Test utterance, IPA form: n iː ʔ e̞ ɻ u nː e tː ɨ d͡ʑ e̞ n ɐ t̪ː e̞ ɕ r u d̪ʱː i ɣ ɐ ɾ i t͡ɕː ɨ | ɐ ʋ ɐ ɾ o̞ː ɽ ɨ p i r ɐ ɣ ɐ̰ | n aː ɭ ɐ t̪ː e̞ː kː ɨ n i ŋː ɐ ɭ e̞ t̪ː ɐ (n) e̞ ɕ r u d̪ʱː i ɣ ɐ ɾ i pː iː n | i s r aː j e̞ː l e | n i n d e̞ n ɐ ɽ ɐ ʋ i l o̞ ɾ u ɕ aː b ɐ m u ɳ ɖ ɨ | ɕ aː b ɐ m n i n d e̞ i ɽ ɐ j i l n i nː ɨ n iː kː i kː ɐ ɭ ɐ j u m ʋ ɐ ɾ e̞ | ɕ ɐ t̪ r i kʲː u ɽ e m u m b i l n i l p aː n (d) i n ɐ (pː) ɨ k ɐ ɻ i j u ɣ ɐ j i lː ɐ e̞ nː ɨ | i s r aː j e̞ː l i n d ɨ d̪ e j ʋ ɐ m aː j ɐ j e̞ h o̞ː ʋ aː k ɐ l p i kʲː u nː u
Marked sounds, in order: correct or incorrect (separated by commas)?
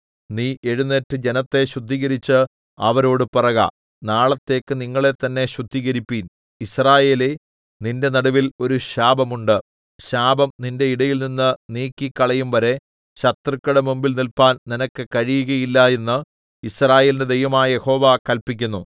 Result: incorrect, incorrect, incorrect